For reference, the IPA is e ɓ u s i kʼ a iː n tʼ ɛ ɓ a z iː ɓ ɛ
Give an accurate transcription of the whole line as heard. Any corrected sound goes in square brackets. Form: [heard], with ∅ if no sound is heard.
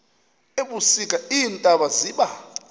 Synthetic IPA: e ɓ u s i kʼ a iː n tʼ [a] ɓ a z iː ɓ [a]